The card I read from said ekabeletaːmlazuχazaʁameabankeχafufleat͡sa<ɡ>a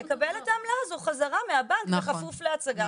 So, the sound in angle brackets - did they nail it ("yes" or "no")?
yes